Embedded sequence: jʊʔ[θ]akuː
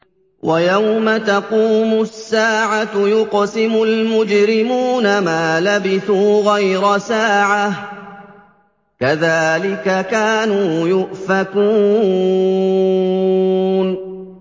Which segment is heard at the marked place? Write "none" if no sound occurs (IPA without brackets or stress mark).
f